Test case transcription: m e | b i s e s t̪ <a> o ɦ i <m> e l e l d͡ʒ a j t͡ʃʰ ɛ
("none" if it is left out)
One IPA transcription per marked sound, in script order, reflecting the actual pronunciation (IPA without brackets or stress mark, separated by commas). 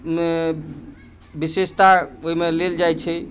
a, m